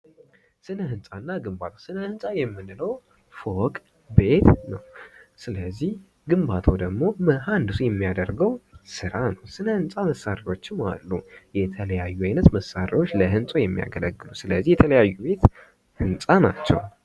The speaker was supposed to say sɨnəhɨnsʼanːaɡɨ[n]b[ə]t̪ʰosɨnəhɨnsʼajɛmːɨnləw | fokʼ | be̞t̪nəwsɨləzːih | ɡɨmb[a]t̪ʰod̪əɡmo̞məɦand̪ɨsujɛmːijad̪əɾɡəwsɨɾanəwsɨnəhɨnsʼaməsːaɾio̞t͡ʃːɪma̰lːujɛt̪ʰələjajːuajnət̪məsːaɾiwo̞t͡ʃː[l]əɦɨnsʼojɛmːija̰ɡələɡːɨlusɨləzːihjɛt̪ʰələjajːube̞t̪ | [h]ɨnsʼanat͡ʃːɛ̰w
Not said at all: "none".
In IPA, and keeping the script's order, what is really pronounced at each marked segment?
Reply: m, a, a, l, h

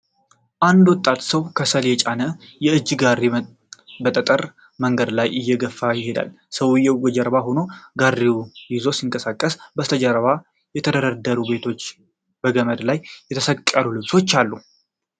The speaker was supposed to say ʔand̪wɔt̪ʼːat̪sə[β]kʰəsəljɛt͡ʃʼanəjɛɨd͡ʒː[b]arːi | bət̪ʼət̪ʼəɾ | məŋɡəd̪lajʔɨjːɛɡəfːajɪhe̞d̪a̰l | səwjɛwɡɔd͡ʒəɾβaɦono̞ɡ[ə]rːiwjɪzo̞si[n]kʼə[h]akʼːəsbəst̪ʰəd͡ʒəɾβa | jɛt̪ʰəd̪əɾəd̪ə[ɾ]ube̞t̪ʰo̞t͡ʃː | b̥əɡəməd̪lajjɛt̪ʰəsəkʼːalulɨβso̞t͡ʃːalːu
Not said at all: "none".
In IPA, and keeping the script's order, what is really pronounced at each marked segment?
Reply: w, ɡ, a, ŋ, s, ɾ

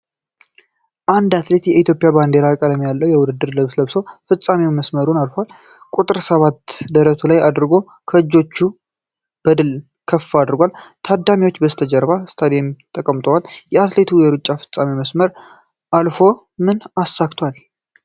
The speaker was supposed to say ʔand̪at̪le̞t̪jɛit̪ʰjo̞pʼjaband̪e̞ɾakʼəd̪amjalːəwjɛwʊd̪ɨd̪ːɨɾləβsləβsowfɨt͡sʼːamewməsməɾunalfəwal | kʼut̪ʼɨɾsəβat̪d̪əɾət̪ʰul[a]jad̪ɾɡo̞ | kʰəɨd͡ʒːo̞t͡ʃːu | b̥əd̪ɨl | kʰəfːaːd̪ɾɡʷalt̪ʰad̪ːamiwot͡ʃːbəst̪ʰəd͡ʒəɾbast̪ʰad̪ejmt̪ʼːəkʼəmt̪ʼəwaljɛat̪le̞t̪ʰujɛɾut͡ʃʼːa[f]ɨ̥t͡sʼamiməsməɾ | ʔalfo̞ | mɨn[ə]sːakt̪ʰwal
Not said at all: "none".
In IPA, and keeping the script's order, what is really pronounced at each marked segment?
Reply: a, f, a

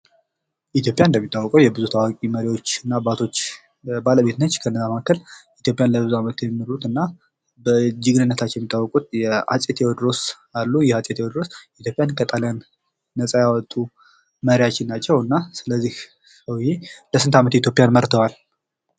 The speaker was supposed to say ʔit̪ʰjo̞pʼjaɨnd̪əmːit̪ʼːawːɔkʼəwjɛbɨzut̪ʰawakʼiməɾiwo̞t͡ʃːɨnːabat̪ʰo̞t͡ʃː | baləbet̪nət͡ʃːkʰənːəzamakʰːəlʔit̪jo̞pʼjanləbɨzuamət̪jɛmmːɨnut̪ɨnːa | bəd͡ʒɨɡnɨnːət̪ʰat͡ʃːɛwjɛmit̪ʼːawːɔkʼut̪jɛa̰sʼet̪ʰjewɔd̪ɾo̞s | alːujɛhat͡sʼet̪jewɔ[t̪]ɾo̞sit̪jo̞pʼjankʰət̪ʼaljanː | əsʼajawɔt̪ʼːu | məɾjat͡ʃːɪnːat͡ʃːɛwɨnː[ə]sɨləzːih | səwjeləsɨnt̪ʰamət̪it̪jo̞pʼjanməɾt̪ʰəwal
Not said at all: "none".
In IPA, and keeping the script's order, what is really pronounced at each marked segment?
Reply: d̪, a

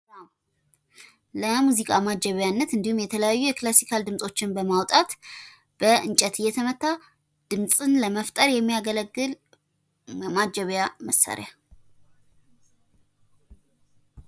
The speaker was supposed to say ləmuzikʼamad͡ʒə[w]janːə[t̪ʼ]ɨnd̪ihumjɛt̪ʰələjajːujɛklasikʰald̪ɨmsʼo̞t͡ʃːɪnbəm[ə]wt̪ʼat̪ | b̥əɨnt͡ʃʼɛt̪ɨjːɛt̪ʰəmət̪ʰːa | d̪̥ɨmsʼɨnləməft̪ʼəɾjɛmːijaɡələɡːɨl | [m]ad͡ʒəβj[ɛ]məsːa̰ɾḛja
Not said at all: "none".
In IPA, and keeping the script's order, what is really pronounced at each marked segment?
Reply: β, t̪, a, m, a

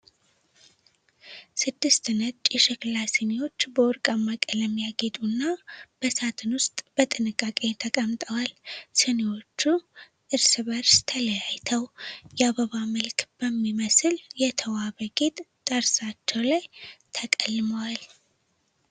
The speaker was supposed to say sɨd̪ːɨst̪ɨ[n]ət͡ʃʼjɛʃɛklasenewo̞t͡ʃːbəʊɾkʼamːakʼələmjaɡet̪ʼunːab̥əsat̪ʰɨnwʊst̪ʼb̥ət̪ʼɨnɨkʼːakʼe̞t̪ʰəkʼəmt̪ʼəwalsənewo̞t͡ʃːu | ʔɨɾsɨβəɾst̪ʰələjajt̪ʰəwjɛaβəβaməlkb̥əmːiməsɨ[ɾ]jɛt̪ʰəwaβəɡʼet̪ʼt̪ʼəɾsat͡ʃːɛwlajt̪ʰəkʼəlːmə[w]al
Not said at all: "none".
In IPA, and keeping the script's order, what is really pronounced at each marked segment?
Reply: n, l, w

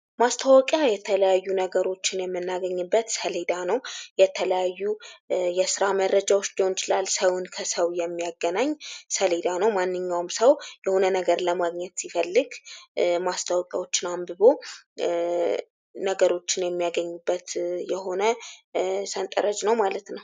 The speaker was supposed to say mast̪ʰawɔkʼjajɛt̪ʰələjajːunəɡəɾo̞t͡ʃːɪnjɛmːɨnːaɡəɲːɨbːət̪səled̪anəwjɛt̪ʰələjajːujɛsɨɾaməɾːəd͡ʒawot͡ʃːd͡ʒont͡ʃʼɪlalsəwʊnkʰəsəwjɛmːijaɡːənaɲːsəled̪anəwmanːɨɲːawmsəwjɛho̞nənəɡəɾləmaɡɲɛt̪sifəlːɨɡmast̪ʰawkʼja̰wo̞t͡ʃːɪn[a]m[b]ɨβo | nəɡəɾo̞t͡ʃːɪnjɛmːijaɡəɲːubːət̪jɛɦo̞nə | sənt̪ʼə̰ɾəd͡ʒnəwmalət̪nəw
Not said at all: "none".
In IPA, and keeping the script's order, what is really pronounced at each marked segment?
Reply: a, b

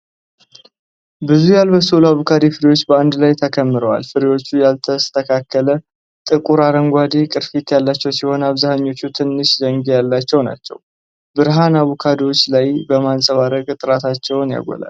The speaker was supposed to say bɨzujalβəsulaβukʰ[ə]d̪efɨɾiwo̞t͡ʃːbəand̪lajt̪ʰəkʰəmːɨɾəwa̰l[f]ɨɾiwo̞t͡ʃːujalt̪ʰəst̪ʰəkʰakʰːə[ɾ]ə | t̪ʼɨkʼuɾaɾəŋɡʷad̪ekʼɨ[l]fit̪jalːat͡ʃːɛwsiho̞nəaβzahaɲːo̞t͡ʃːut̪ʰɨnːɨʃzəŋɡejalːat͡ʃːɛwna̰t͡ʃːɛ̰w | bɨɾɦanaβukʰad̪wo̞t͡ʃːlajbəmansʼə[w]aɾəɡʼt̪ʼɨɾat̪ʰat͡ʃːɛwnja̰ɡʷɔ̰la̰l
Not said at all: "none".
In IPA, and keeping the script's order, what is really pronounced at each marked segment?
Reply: a, f, l, ɾ, β

